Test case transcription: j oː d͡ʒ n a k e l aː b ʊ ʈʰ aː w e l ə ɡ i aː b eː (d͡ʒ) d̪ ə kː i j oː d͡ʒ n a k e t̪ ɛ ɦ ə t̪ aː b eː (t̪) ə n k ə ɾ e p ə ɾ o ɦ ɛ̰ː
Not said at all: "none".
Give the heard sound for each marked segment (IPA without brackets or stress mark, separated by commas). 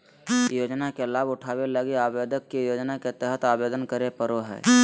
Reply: none, d̪